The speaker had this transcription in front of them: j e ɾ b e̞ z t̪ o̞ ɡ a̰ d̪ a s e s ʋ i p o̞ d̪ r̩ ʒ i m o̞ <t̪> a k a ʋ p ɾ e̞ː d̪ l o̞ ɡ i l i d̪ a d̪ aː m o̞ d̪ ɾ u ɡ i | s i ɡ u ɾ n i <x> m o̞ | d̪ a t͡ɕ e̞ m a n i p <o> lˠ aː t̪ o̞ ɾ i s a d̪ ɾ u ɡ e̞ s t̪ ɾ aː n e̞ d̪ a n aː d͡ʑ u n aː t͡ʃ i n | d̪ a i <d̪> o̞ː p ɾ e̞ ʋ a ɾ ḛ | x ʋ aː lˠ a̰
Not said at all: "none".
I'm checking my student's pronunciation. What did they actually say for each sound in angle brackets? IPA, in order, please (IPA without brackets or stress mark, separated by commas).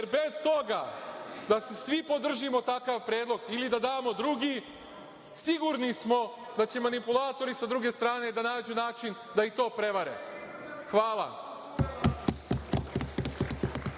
t̪, s, u, t̪